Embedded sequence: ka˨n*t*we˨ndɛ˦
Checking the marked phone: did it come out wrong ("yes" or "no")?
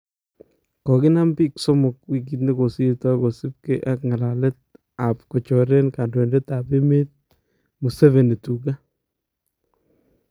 yes